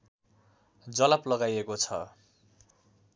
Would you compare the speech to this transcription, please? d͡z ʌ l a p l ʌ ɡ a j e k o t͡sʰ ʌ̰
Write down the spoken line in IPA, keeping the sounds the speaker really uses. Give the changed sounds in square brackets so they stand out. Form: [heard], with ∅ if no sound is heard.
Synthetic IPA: d͡z ʌ l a p l ʌ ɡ a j e k o t͡sʰ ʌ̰